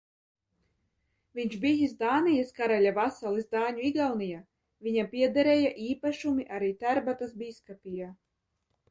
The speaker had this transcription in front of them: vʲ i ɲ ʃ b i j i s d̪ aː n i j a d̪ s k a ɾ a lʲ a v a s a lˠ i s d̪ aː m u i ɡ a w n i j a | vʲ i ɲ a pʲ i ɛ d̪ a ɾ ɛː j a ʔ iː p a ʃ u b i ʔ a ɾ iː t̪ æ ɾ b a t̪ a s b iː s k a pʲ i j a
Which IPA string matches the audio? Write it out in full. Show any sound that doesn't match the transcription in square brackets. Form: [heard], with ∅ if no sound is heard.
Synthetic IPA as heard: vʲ i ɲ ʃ b i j i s d̪ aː n i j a [∅] s k a ɾ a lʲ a v a s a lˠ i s d̪ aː [ɲ] u i ɡ a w n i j a | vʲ i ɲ a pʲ i ɛ d̪ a ɾ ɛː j a ʔ iː p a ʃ u [m] i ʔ a ɾ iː t̪ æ ɾ b a t̪ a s b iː s k a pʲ i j a